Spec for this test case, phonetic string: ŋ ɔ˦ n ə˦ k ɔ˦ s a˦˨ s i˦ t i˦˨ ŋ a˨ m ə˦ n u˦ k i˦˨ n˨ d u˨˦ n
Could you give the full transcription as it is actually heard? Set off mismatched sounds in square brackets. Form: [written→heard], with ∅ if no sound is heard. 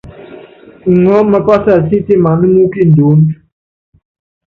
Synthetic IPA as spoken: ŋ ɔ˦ [n→m] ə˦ k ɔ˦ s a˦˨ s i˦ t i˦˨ [ŋ→m] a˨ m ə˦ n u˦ k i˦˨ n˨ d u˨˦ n